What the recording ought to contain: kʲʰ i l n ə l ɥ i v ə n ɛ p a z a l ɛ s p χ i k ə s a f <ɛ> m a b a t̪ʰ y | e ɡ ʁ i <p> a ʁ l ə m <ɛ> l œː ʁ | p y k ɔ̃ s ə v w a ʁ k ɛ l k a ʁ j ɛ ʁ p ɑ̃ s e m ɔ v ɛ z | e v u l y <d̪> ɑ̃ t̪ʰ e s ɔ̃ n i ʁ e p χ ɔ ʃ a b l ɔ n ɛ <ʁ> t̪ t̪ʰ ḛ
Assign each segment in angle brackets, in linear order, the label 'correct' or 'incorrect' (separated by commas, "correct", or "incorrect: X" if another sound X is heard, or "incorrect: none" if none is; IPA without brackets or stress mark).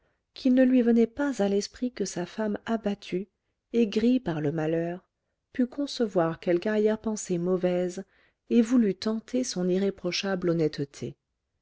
incorrect: a, correct, incorrect: a, incorrect: t̪, incorrect: none